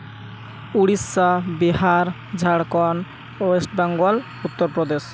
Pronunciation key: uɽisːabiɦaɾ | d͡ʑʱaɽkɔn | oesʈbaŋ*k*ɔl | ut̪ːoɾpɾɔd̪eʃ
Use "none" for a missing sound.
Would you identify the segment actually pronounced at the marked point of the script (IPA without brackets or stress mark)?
ɡ